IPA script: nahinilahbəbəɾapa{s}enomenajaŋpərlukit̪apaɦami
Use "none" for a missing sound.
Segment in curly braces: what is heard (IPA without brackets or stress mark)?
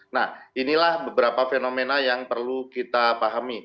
f